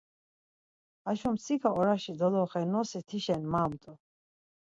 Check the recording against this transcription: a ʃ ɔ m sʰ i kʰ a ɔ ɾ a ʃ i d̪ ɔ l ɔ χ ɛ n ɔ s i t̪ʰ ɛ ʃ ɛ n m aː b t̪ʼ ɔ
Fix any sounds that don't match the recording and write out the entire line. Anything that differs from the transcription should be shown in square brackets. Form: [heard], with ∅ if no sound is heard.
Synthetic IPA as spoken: a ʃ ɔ m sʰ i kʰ a ɔ ɾ a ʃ i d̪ ɔ l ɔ χ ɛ n ɔ s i t̪ʰ [i] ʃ ɛ n m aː [m] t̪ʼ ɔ